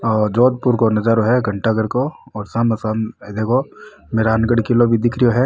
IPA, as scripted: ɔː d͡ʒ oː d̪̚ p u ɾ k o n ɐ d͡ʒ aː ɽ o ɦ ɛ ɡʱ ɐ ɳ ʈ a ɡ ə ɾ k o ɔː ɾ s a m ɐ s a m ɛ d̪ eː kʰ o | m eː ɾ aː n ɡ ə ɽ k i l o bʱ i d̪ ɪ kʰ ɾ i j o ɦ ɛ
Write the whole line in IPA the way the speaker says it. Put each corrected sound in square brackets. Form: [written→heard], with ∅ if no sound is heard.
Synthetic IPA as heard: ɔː d͡ʒ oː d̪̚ p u ɾ k o n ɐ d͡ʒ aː [ɽ→ɾ] o ɦ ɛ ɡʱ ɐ ɳ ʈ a ɡ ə ɾ k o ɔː ɾ s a m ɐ s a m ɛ d̪ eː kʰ o | m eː ɾ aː n ɡ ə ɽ k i l o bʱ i d̪ ɪ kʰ ɾ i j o ɦ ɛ